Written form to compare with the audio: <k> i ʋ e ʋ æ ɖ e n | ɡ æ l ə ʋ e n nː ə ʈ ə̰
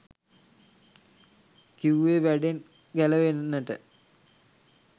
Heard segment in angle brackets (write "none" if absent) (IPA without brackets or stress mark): k